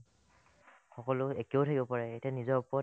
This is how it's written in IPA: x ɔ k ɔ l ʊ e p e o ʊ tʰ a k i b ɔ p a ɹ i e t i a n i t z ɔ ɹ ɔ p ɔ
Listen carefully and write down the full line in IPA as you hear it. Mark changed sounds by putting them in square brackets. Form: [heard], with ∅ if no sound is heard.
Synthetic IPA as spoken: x ɔ k ɔ l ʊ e [k] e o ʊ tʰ a k i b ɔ p a ɹ [ɛ] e t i a n i [∅] z ɔ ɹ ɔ p ɔ

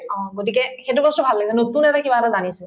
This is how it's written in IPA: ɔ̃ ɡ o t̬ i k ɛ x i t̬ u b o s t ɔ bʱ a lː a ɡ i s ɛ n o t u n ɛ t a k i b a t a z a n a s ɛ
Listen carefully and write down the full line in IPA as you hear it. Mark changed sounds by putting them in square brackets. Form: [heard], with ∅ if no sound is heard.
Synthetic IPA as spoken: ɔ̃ ɡ o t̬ i k ɛ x [e] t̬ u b [ɔ] s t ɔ bʱ a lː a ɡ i s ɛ n o t u n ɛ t a k i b a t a z a n [i] s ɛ

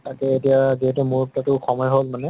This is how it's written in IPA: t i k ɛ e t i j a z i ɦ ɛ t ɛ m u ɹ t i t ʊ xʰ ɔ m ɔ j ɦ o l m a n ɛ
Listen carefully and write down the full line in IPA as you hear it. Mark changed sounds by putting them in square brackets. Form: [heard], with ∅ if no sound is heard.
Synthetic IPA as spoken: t [a] k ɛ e t i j a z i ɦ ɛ t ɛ m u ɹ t [a] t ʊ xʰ ɔ m ɔ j ɦ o l m a n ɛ

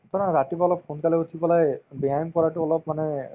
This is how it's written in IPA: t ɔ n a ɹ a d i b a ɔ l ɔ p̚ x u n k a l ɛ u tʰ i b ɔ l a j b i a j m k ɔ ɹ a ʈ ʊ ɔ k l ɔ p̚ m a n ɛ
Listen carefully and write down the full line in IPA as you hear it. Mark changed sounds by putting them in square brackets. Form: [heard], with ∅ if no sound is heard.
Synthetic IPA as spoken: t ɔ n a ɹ a [t] i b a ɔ l ɔ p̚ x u n k a l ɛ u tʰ i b ɔ l a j b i a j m k ɔ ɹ a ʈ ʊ ɔ [∅] l ɔ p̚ m a n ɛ

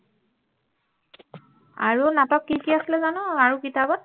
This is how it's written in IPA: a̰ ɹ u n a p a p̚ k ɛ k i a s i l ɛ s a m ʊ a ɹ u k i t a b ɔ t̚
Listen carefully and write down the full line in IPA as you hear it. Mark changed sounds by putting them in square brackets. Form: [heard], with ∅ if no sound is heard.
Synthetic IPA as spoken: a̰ ɹ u n a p a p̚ k [i] k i a s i l ɛ [z] a [n] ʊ a ɹ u k i t a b ɔ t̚

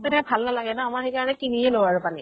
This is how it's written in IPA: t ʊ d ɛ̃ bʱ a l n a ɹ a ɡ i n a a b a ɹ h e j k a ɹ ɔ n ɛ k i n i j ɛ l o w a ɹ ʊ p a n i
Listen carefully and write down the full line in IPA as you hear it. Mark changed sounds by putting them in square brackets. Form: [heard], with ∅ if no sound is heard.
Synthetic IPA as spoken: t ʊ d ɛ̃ bʱ a l n a [l] a ɡ [ɛ] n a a [m] a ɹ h e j k a ɹ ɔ n ɛ k i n i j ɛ l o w a ɹ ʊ p a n i

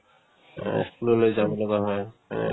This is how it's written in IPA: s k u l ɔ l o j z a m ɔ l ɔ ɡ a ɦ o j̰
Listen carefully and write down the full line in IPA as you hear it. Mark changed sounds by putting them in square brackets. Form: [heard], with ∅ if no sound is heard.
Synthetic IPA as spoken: s k u l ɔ l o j z a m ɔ l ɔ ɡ a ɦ [ɔ] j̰

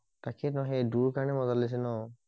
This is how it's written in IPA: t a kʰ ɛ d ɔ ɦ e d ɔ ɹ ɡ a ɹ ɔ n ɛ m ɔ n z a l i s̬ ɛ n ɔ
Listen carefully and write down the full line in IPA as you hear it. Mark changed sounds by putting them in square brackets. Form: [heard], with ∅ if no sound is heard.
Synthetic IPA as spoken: t a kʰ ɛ [n] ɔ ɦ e d [u] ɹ [k] a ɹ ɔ n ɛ m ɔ [∅] z a l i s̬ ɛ n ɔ

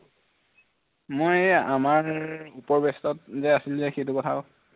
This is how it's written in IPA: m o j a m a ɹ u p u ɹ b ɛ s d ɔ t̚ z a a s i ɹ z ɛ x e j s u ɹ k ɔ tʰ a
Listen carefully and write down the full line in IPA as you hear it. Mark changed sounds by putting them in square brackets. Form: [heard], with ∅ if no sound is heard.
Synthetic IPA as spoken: m o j a m a ɹ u p [ɔ] ɹ b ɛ s [t] ɔ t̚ z [ɛ] a s i [l] z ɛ x e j [t] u [∅] k ɔ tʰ a

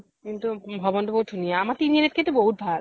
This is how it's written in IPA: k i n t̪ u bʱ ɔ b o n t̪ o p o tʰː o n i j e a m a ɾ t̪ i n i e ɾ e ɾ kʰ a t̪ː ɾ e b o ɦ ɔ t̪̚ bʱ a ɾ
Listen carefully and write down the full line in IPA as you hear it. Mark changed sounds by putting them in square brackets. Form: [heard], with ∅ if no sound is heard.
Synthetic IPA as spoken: k i n t̪ u bʱ ɔ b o n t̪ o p o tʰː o n i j e a m a ɾ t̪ i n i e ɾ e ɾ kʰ [e] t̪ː ɾ e b o ɦ [u] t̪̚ bʱ a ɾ

